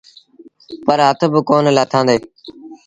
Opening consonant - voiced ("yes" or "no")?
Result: no